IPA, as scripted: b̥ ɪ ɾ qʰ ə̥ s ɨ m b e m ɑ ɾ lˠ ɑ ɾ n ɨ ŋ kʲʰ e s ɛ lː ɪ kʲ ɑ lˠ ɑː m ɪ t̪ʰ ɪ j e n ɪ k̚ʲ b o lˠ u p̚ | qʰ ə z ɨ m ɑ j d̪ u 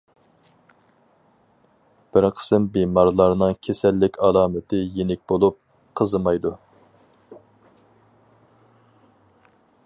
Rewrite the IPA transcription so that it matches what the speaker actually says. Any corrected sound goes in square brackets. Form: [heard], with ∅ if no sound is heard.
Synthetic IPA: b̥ ɪ ɾ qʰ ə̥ s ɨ m b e m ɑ ɾ lˠ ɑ ɾ n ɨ ŋ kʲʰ e s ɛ lː ɪ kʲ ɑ lˠ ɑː m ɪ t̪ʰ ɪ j e n ɪ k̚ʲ b o lˠ u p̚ | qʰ ə z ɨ m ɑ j d̪ u